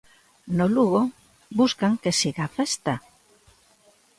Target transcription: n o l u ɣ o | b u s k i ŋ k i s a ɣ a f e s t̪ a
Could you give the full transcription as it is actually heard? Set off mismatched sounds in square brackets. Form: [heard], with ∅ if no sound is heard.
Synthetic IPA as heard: n o l u ɣ o | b u s k [a] ŋ k [e] s [i] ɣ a f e s t̪ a